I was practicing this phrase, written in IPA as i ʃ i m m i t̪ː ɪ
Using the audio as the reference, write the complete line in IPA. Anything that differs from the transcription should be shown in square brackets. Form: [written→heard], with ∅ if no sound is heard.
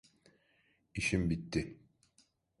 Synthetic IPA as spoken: i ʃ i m [m→b] i t̪ː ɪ